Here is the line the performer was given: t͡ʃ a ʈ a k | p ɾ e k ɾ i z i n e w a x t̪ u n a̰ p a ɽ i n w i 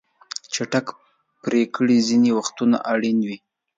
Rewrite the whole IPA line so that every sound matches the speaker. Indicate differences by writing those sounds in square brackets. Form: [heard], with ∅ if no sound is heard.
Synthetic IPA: t͡ʃ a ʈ a k | p ɾ e k [ɽ] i z i n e w a x t̪ u n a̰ [ʔ] a ɽ i n w i